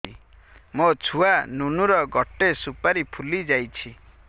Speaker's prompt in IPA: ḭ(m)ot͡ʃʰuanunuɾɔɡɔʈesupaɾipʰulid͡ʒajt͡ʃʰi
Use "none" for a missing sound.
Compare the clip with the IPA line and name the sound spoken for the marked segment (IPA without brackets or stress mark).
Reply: m